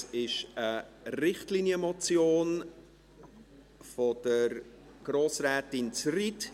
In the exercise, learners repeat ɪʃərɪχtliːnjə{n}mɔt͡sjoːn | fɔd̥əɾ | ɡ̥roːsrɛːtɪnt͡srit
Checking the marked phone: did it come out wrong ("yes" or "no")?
yes